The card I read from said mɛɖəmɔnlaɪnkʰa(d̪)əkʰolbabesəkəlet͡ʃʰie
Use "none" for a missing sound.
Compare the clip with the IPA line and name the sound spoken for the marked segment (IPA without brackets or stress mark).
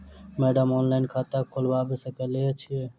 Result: t̪